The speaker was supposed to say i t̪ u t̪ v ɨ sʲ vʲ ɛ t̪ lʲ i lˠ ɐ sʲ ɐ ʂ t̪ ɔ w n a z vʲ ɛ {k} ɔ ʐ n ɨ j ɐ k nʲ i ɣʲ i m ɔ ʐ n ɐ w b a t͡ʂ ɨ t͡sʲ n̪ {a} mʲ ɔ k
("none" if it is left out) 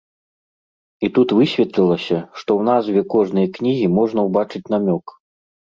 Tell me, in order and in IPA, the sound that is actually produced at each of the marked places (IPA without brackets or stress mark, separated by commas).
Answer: k, a